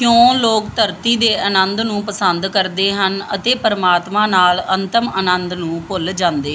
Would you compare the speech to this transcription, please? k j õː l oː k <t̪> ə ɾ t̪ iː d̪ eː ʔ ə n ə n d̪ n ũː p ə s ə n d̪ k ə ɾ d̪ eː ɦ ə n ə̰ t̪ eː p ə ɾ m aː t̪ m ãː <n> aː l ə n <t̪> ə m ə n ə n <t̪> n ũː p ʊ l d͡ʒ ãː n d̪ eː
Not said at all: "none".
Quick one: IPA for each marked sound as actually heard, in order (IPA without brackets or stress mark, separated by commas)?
t̪, n, t̪, d̪